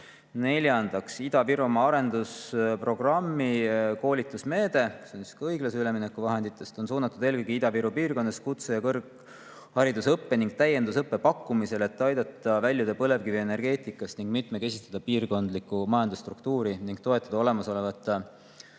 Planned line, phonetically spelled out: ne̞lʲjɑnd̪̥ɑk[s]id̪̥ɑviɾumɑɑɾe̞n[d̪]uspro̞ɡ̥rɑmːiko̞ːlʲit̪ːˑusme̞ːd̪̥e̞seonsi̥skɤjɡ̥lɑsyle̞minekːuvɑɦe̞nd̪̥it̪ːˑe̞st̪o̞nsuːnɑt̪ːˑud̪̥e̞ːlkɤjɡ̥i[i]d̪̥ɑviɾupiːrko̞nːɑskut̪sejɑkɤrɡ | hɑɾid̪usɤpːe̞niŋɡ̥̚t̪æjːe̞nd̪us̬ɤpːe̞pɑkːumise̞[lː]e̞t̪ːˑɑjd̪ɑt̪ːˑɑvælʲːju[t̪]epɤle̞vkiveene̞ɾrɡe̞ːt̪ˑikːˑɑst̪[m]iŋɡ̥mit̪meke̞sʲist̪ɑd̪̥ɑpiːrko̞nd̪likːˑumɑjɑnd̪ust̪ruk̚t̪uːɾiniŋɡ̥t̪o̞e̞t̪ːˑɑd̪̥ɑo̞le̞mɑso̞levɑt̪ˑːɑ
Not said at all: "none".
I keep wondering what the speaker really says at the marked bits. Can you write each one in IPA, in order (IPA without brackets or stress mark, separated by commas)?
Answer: s, d̪, i, l, d̪, n